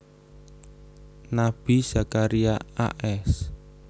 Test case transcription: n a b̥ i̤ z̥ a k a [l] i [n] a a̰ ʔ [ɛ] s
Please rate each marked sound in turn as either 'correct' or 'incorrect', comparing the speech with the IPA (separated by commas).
incorrect, incorrect, correct